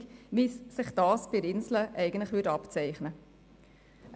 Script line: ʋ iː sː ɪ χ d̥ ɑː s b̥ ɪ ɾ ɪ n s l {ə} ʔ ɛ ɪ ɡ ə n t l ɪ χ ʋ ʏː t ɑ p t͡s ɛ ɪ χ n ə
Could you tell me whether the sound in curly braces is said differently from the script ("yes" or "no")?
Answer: no